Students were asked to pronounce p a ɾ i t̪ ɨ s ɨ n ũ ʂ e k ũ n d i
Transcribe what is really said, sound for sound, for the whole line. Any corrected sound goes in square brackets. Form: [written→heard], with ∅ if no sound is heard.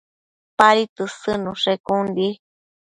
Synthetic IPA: p a ɾ i t̪ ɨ s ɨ n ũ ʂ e k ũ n d i